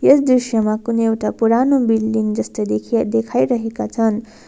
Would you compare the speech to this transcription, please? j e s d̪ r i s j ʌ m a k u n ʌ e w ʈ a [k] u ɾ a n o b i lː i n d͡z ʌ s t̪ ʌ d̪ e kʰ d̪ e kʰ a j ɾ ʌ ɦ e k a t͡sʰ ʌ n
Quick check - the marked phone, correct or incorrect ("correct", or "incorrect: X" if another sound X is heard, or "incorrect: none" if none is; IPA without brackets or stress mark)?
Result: incorrect: p